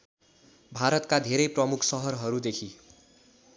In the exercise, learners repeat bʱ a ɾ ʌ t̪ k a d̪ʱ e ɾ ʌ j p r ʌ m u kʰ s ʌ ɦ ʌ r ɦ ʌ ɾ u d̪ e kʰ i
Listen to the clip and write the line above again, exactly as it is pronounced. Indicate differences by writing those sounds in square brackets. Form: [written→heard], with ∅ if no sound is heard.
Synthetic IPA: bʱ a ɾ ʌ t̪ k a d̪ʱ e ɾ ʌ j p r ʌ m u kʰ s ʌ ɦ ʌ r ɦ ʌ ɾ u d̪ e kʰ i